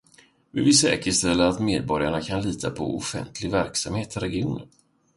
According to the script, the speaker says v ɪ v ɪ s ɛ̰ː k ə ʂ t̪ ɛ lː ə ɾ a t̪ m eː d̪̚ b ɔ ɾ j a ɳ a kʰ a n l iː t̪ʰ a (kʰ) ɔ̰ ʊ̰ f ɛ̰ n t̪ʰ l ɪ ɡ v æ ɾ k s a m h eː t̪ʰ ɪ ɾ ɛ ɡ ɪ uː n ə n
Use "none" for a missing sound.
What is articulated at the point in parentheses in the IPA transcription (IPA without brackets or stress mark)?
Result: pʰ